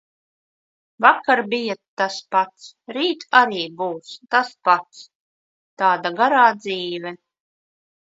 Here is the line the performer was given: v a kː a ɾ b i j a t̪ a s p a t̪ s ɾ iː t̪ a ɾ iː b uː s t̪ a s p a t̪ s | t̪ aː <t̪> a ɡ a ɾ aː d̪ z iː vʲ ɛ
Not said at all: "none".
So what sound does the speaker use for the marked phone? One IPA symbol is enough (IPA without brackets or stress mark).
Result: d̪